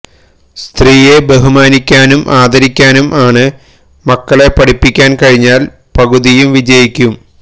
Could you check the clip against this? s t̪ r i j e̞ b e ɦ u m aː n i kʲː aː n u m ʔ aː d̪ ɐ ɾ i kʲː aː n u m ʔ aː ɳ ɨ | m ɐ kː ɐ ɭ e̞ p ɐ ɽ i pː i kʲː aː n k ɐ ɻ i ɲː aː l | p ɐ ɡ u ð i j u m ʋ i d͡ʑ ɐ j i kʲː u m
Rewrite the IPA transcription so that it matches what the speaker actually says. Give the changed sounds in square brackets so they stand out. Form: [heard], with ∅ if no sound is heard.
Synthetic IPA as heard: s t̪ r [iː] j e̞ b e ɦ u m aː n i kʲː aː n u m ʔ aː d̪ ɐ ɾ i kʲː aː n u m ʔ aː ɳ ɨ | m ɐ kː ɐ ɭ e̞ p ɐ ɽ i pː i kʲː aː n k ɐ ɻ i ɲː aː l | p ɐ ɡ u ð i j u m ʋ i d͡ʑ ɐ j i kʲː u m